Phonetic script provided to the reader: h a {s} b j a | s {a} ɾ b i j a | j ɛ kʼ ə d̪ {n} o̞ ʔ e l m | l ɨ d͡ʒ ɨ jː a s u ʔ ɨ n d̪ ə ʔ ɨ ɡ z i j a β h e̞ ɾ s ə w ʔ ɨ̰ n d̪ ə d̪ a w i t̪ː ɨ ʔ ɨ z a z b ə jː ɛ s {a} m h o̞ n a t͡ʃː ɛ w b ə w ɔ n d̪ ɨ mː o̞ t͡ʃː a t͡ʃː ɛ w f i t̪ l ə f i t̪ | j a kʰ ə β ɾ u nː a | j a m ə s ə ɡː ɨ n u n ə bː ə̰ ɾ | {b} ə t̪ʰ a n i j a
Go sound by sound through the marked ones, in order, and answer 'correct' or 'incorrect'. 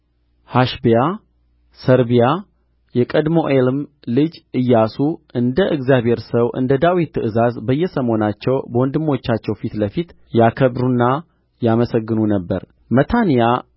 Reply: incorrect: ʃ, incorrect: ə, incorrect: m, incorrect: ə, incorrect: m

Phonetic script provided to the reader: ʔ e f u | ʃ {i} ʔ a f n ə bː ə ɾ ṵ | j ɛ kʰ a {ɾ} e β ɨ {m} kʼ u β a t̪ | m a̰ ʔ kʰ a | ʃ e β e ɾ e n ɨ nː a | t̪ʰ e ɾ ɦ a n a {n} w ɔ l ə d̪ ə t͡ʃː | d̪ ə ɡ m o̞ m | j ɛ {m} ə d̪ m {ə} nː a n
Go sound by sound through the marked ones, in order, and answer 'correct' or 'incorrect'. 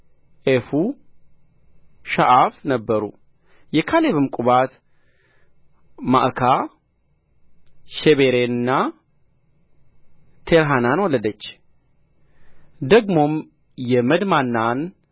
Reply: incorrect: a, incorrect: l, correct, correct, correct, incorrect: a

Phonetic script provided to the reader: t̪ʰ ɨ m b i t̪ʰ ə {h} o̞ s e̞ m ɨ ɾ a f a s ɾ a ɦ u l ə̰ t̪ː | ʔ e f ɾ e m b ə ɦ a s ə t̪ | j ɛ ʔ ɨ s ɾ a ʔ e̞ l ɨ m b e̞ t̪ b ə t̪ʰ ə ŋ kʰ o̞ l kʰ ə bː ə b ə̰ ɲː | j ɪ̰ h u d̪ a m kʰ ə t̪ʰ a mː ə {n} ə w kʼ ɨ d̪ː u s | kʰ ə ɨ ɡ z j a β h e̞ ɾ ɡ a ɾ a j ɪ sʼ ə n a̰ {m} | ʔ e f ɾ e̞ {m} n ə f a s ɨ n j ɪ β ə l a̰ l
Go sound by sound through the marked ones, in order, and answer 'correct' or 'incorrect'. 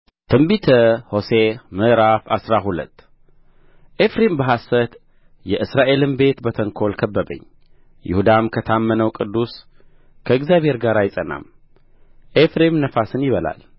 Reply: correct, correct, correct, correct

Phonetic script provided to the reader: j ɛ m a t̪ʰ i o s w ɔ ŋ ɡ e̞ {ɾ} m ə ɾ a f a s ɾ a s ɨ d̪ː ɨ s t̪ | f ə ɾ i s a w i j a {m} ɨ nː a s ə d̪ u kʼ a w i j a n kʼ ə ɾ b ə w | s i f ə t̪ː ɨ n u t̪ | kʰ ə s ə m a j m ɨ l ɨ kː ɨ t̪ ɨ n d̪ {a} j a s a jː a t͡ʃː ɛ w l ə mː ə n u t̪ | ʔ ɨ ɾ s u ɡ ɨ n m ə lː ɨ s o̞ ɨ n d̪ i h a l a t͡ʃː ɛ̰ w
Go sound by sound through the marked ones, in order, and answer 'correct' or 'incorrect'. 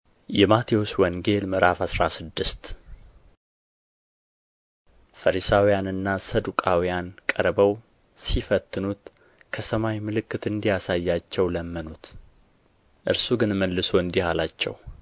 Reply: incorrect: l, incorrect: n, incorrect: i

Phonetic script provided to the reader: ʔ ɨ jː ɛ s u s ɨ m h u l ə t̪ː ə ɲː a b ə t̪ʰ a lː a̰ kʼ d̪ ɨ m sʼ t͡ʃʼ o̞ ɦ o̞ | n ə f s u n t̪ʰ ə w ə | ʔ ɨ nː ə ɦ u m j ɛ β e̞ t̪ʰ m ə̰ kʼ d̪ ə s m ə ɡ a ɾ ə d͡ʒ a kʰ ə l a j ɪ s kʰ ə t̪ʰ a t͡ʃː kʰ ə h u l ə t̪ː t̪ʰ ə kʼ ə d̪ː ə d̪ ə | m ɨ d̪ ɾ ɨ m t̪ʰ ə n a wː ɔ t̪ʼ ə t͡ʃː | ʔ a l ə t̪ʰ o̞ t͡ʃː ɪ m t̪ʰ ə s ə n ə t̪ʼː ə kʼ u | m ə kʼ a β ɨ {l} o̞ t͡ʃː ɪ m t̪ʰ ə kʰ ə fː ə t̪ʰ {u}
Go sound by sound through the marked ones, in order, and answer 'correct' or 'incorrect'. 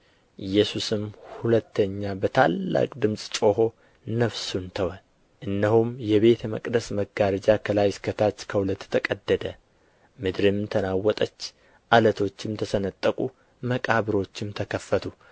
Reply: incorrect: ɾ, correct

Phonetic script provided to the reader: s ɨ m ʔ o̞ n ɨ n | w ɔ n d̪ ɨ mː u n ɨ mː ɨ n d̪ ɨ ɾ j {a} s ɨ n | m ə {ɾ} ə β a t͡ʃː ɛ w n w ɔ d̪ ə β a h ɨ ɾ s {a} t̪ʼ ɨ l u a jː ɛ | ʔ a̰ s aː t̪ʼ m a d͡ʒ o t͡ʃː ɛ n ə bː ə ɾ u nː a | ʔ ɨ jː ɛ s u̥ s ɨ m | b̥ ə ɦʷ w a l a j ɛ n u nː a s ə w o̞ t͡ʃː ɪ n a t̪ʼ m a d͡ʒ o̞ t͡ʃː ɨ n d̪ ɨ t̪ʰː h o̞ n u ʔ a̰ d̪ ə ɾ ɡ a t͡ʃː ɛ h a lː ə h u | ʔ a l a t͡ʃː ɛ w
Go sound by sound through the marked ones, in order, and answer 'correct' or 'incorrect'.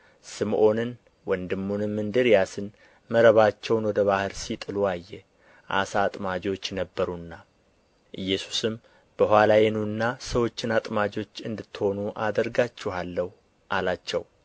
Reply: correct, correct, incorrect: i

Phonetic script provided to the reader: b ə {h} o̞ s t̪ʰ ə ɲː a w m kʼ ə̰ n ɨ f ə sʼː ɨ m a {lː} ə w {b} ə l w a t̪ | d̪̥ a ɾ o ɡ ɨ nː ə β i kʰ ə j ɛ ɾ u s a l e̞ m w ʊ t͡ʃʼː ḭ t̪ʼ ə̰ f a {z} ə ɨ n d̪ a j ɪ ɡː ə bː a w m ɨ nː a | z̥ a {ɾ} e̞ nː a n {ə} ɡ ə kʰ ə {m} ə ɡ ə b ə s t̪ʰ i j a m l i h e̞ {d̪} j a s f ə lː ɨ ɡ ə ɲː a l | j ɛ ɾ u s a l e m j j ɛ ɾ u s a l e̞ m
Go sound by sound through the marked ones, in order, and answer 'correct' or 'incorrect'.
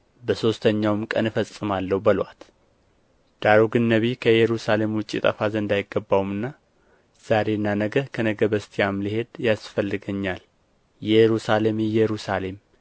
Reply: incorrect: s, correct, correct, correct, correct, correct, incorrect: n, correct

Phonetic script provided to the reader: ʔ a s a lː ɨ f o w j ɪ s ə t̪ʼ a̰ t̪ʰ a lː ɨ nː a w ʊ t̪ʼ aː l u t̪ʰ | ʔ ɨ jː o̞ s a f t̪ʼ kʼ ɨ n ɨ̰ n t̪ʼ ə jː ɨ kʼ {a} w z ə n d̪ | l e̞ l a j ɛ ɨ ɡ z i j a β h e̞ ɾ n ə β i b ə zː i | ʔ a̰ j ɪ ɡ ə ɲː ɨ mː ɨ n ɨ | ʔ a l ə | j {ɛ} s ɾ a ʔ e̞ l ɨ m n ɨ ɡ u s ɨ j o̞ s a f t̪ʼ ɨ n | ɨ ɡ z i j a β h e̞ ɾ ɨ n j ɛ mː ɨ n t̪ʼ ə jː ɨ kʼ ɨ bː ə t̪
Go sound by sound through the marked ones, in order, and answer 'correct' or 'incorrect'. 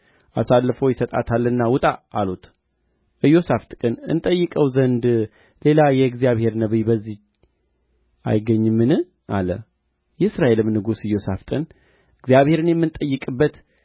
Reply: incorrect: ə, correct

